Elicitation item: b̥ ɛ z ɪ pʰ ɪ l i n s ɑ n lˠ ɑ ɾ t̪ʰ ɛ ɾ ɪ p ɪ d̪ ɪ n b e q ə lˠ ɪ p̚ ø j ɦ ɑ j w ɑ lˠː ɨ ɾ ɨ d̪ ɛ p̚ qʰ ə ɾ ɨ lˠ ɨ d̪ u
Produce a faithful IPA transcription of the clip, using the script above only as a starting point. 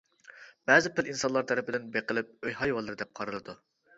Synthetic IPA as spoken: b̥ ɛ z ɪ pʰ ɪ l i n s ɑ n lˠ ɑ ɾ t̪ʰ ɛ ɾ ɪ p ɪ d̪ ɪ n b e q ə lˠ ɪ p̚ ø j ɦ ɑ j w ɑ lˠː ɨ ɾ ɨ d̪ ɛ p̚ qʰ ɑ ɾ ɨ lˠ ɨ d̪ u